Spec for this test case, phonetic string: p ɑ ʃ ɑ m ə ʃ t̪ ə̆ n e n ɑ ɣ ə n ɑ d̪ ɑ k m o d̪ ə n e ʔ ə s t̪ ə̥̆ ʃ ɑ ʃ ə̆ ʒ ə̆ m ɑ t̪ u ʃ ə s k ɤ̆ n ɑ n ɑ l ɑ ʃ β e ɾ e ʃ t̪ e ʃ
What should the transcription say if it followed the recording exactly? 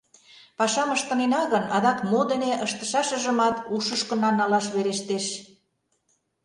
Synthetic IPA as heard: p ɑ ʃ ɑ m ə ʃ t̪ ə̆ n e n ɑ ɣ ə n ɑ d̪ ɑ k m o d̪ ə n e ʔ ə ʃ t̪ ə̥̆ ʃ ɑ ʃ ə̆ ʒ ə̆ m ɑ t̪ u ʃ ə ʃ k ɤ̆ n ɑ n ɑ l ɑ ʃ β e ɾ e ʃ t̪ e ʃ